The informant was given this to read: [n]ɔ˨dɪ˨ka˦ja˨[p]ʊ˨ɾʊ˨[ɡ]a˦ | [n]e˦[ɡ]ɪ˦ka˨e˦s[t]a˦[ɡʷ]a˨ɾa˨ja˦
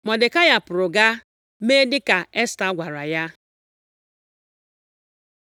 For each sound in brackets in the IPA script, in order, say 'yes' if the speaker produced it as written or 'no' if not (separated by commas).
no, yes, yes, no, no, yes, yes